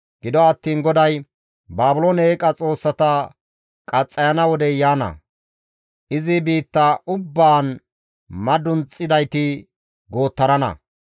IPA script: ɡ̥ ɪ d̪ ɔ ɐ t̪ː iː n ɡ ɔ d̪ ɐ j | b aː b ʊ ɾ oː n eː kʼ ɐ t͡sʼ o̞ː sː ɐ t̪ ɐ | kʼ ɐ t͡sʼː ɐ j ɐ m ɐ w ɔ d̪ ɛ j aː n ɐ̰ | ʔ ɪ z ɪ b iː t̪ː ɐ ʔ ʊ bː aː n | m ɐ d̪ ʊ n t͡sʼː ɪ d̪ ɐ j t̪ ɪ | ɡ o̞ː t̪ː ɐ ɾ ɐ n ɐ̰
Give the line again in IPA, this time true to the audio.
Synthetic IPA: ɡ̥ ɪ d̪ ɔ ɐ t̪ː iː n ɡ ɔ d̪ ɐ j | b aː b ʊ l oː n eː kʼ ɐ t͡sʼ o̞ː sː ɐ t̪ ɐ | kʼ ɐ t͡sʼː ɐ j ɐ n ɐ w ɔ d̪ ɛ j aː n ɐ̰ | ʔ ɪ z ɪ b iː t̪ː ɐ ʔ ʊ bː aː n | m ɐ d̪ ʊ n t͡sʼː ɪ d̪ ɐ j t̪ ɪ | ɡ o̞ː t̪ː ɐ ɾ ɐ n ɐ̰

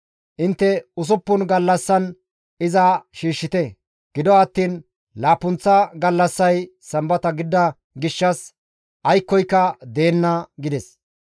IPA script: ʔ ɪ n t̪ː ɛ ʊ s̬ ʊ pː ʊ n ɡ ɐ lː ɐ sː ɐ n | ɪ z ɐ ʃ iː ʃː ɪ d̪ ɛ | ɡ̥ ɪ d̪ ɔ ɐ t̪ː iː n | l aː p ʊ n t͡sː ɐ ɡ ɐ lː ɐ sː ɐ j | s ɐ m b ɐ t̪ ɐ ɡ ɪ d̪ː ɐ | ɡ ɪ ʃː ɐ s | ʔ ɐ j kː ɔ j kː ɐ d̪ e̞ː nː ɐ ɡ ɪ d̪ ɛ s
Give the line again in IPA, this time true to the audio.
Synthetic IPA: ʔ ɪ n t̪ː ɛ ʊ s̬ ʊ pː ʊ n ɡ ɐ lː ɐ sː ɐ n | ɪ z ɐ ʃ iː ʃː ɪ t̪ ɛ | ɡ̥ ɪ d̪ ɔ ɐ t̪ː iː n | l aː p ʊ n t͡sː ɐ ɡ ɐ lː ɐ sː ɐ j | s ɐ m b ɐ t̪ ɐ ɡ ɪ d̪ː ɐ | ɡ ɪ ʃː ɐ s | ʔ ɐ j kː ɔ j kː ɐ d̪ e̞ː nː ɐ ɡ ɪ d̪ ɛ s

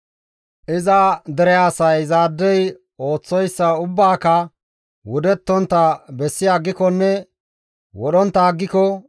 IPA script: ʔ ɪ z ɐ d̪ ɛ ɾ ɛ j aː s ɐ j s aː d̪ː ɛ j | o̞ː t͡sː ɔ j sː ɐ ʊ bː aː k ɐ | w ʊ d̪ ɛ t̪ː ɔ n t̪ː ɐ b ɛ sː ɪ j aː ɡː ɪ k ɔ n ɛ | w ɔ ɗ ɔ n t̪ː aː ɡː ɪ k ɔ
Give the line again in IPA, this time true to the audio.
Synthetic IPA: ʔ ɪ z ɐ d̪ ɛ ɾ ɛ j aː s ɐ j z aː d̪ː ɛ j | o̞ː t͡sː ɔ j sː ɐ ʊ bː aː k ɐ | w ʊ d̪ ɛ t̪ː ɔ n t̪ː ɐ b ɛ sː ɪ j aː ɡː ɪ k ɔ nː ɛ | w ɔ ɗ ɔ n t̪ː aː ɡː ɪ k ɔ

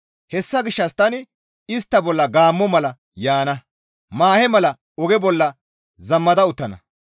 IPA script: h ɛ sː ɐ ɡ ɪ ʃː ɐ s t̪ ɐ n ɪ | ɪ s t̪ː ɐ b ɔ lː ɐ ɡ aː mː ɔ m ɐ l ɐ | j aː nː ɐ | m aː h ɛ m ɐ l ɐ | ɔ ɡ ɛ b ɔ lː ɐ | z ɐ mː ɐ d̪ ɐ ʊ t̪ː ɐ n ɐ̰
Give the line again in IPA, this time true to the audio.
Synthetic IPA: h ɛ sː ɐ ɡ ɪ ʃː ɐ s t̪ ɐ n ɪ | ɪ s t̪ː ɐ b ɔ lː ɐ ɡ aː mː ɔ m ɐ l ɐ | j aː n ɐ | m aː h ɛ m ɐ l ɐ | ɔ ɡ ɛ b ɔ lː ɐ | z ɐ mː ɐ d̪ ɐ ʊ t̪ː ɐ n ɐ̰

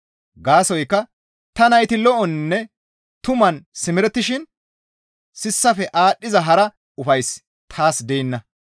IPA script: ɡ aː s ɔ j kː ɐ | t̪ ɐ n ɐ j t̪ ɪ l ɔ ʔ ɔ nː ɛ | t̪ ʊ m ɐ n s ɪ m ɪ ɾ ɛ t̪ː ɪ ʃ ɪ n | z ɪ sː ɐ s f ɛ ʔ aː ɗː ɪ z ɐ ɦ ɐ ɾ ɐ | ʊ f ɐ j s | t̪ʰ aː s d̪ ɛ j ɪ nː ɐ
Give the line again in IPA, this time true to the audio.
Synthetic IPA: ɡ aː s ɔ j kː ɐ | t̪ ɐ n ɐ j t̪ ɪ l ɔ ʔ ɔ nː ɛ | t̪ ʊ m ɐ n s ɪ m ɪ ɾ ɛ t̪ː ɪ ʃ ɪ n | s ɪ sː ɐ f ɛ ʔ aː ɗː ɪ z ɐ ɦ ɐ ɾ ɐ | ʊ f ɐ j s | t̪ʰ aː s d̪ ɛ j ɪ nː ɐ

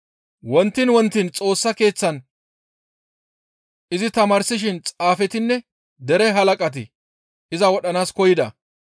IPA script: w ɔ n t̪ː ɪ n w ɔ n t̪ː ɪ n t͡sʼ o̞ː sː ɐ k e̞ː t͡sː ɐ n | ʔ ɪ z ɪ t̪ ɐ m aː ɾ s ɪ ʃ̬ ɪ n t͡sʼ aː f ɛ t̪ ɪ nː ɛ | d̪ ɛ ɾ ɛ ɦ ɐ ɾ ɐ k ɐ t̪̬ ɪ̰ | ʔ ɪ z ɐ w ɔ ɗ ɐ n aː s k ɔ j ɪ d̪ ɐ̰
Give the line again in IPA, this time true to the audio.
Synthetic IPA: w ɔ n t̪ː ɪ n w ɔ n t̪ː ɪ n t͡sʼ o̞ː sː ɐ k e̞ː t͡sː ɐ n | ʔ ɪ z ɪ t̪ ɐ m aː ɾ s ɪ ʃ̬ ɪ n t͡sʼ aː f ɛ t̪ ɪ nː ɛ | d̪ ɛ ɾ ɛ ɦ ɐ l ɐ kʼ ɐ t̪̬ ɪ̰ | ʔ ɪ z ɐ w ɔ ɗ ɐ n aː s k ɔ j ɪ d̪ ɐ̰

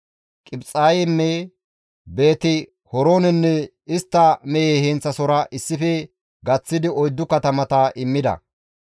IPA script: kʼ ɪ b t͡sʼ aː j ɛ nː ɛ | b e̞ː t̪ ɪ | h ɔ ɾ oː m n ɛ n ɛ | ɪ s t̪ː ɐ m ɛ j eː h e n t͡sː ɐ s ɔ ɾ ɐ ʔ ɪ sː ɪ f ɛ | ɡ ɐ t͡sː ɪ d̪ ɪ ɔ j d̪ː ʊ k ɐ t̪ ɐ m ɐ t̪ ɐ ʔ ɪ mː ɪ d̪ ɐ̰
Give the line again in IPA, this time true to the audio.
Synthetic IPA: kʼ ɪ b t͡sʼ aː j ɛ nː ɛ | b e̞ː t̪ ɪ | h ɔ ɾ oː n ɛ nː ɛ | ɪ s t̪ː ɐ m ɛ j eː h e n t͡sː ɐ s ɔ ɾ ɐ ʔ ɪ sː ɪ f ɛ | ɡ ɐ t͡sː ɪ d̪ ɪ ɔ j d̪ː ʊ k ɐ t̪ ɐ m ɐ t̪ ɐ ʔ ɪ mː ɪ d̪ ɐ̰

